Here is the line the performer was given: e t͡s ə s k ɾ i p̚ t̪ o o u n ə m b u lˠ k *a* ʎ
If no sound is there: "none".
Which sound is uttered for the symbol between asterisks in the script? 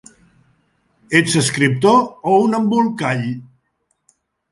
a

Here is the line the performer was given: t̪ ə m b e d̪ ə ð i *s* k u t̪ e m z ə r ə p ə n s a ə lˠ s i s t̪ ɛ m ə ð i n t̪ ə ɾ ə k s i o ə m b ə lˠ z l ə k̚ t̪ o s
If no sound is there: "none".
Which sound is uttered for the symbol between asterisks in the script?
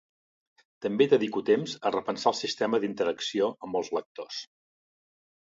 none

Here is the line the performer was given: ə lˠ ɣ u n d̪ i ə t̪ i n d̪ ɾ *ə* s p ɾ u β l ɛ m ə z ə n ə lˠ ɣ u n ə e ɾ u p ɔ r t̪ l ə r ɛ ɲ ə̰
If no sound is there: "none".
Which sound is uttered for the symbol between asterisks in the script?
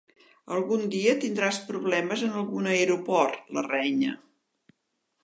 a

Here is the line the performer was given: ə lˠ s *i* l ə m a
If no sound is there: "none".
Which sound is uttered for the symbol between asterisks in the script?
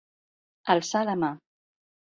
a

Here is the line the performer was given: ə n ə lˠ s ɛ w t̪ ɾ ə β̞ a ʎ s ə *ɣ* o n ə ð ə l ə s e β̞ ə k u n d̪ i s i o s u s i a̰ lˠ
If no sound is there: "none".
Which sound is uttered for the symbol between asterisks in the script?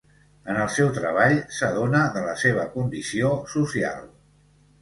ð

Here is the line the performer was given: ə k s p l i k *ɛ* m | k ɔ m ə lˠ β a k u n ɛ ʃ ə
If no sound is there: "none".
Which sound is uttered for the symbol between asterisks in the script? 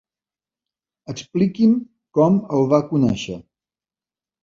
i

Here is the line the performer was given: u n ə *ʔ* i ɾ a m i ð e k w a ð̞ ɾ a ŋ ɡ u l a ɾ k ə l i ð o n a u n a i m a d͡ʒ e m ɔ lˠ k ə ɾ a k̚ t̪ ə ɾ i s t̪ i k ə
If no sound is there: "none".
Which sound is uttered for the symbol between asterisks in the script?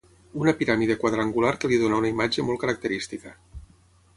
p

